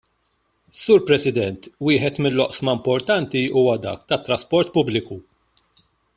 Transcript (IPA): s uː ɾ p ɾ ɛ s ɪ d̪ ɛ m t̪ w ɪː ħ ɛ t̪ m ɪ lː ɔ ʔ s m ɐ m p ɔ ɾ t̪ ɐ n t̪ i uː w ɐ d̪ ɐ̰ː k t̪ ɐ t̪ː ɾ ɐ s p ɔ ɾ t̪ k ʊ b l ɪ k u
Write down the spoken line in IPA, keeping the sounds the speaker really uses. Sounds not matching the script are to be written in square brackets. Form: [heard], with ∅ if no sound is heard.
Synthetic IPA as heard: s uː ɾ p ɾ ɛ s ɪ d̪ ɛ [n] t̪ w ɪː ħ ɛ t̪ m ɪ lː ɔ ʔ s m ɐ m p ɔ ɾ t̪ ɐ n t̪ i uː w ɐ d̪ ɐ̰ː k t̪ ɐ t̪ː ɾ ɐ s p ɔ ɾ t̪ [p] ʊ b l ɪ k u